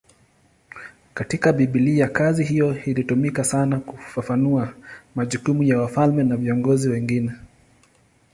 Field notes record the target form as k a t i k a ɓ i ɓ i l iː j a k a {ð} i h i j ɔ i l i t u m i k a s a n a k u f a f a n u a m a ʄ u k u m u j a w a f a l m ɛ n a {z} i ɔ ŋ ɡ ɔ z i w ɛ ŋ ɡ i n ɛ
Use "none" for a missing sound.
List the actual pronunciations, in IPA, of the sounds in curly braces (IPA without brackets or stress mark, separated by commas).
z, v